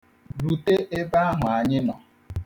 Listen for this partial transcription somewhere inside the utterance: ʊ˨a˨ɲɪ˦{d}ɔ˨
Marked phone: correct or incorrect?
incorrect